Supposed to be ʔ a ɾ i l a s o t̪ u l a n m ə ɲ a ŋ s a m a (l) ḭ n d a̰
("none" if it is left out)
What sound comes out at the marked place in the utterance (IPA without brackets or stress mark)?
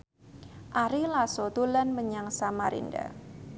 ɾ